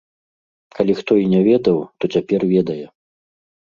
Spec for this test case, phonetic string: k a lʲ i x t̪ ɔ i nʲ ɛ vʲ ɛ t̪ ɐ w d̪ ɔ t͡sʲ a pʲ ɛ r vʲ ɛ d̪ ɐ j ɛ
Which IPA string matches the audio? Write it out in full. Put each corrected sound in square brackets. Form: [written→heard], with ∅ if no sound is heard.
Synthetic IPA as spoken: k a lʲ i x t̪ ɔ i nʲ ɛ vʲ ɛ [t̪→d̪] ɐ w [d̪→t̪] ɔ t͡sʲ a pʲ ɛ r vʲ ɛ d̪ ɐ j ɛ